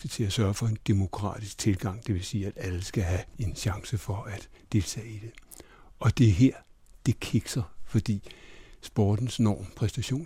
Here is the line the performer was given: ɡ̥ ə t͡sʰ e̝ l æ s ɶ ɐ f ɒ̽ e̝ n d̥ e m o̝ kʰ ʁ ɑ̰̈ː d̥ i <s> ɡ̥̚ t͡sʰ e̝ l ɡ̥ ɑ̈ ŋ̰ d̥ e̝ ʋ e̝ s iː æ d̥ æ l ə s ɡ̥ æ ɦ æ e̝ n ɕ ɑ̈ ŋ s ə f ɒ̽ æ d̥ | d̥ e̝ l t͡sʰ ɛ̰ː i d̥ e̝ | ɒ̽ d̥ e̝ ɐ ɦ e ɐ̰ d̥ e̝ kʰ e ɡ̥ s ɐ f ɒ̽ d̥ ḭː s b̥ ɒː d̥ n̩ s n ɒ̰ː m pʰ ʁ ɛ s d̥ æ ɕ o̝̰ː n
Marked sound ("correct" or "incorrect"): correct